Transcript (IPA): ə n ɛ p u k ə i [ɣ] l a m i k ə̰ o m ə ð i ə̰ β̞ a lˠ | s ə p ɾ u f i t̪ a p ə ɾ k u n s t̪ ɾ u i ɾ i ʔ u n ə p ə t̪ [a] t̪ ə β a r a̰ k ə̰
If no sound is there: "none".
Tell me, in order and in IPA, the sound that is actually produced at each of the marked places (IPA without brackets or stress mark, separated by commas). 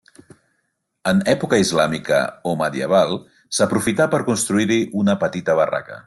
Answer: z, i